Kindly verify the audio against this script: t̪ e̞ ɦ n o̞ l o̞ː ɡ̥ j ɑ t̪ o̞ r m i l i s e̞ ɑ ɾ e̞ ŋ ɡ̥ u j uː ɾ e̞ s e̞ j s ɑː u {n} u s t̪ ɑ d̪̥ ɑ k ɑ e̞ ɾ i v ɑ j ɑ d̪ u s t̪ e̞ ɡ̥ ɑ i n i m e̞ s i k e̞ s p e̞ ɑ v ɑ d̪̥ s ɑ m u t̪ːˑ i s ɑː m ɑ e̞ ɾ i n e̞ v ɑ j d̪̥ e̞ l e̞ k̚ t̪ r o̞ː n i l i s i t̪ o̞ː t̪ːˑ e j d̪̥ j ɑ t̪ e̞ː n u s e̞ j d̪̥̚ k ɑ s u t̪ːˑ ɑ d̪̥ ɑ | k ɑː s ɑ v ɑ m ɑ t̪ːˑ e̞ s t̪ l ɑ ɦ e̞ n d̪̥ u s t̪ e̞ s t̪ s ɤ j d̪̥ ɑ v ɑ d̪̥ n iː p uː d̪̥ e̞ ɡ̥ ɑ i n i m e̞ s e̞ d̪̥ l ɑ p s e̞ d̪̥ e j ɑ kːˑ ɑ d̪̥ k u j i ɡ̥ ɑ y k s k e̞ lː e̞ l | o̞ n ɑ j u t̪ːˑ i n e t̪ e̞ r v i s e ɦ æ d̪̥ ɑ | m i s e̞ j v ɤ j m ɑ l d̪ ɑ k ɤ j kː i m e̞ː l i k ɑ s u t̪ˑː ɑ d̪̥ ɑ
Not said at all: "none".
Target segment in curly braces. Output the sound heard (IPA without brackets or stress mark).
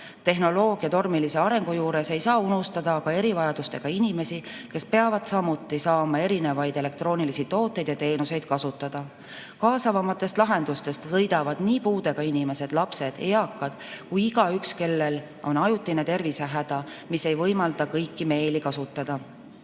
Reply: n